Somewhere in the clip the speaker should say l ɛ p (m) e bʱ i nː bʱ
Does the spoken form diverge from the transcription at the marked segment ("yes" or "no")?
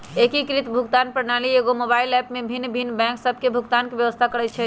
no